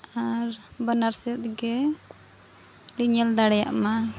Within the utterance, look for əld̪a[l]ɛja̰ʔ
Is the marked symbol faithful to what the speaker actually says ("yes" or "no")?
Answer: no